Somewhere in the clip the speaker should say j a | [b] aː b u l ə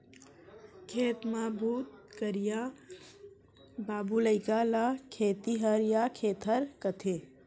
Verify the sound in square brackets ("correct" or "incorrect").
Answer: correct